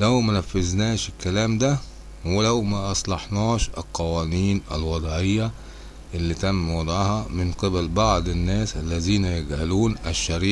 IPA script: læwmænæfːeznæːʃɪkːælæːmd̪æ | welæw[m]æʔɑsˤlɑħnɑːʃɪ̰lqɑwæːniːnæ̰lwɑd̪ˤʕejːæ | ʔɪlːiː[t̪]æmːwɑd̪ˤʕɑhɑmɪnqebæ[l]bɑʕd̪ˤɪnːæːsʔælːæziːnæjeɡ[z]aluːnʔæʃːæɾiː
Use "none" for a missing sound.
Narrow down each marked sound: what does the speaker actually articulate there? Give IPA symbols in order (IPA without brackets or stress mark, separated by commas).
m, t̪, l, ʕ